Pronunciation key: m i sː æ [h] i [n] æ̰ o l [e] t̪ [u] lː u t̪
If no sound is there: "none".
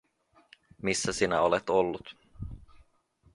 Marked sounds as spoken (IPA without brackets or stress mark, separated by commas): s, n, e, o